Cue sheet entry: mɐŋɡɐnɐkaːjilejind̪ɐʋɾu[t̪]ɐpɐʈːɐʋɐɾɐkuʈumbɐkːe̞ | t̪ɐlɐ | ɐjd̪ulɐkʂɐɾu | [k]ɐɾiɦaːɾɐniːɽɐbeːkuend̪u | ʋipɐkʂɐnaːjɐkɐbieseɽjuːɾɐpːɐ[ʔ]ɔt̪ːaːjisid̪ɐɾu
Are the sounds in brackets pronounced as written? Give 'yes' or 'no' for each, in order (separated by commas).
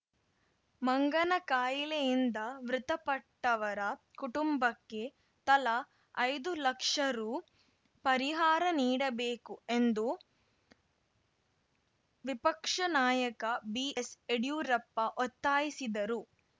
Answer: yes, no, yes